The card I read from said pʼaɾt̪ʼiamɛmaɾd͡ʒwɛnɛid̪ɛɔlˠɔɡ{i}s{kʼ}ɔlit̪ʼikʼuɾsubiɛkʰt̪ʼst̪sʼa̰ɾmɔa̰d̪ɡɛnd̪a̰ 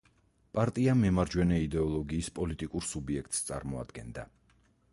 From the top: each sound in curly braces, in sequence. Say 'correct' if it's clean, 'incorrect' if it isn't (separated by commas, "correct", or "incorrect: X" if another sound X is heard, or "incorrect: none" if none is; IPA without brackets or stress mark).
incorrect: iː, incorrect: pʼ